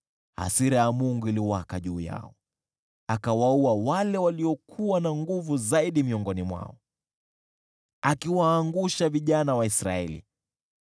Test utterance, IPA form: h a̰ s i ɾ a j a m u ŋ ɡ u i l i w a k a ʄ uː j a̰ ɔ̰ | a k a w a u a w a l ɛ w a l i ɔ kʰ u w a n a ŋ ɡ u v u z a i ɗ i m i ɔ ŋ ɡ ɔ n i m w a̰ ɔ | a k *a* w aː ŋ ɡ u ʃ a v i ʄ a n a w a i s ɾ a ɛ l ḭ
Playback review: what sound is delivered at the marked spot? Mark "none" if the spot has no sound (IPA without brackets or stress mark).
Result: i